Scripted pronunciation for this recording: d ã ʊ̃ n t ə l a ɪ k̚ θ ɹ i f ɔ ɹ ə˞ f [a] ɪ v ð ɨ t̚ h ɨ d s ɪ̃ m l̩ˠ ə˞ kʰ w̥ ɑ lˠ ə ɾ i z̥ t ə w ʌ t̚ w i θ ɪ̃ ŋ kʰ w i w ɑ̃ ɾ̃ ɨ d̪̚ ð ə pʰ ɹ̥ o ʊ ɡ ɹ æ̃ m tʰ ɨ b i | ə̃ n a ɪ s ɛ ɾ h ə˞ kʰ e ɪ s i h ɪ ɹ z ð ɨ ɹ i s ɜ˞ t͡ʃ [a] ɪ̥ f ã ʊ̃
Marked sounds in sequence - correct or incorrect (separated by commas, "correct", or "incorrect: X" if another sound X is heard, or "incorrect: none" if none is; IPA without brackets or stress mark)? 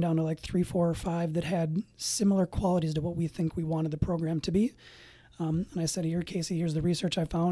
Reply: correct, correct